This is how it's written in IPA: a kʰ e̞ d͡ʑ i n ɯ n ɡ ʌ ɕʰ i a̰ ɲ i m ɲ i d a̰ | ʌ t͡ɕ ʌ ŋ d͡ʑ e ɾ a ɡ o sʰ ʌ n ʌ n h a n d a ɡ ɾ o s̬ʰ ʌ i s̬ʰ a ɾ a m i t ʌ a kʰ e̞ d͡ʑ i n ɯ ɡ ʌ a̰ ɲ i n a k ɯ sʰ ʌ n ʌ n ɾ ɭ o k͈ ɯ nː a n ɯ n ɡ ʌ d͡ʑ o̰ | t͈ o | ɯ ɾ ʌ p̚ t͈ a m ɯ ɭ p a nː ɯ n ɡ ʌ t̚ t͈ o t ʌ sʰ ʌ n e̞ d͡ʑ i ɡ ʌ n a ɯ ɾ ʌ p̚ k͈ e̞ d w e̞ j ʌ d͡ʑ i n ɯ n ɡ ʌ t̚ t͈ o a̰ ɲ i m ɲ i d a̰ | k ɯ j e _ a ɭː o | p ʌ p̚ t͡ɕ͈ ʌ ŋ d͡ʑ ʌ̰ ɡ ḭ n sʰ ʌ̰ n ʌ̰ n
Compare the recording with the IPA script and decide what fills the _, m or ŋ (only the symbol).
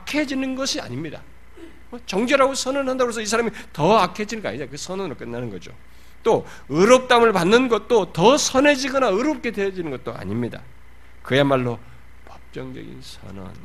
m